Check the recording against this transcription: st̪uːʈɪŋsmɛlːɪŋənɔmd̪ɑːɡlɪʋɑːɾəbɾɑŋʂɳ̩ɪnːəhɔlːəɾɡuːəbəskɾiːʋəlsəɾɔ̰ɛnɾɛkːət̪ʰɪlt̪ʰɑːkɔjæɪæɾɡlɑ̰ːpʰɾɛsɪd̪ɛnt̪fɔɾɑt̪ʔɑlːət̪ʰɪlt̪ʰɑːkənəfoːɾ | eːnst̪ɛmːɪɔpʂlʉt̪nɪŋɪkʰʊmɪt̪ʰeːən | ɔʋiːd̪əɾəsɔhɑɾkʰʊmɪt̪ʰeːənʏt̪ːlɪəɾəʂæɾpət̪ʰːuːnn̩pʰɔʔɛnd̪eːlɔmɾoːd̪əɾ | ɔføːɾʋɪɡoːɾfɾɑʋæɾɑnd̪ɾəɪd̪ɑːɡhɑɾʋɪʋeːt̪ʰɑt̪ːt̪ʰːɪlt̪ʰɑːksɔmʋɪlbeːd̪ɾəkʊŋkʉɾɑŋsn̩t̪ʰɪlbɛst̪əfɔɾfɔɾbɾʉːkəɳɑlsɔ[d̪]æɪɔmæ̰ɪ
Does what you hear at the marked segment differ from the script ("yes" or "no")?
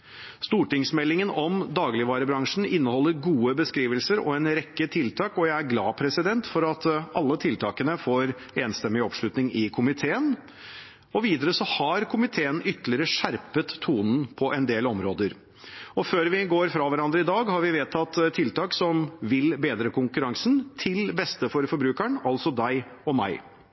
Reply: no